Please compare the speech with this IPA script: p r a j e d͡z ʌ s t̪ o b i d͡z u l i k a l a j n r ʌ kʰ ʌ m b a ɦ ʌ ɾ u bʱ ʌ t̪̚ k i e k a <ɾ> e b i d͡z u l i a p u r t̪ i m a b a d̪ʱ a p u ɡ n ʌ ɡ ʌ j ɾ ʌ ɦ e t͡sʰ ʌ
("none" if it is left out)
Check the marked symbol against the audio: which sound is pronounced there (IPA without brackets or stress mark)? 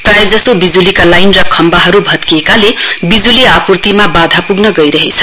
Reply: l